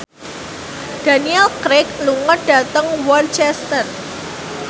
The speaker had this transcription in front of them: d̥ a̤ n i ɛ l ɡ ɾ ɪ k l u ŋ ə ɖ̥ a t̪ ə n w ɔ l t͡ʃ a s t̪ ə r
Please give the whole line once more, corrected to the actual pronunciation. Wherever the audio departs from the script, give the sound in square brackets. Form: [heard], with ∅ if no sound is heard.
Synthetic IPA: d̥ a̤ n i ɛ l [k] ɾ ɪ k l u ŋ ə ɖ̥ a t̪ ə [ŋ] w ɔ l t͡ʃ [ɛ] s t̪ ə r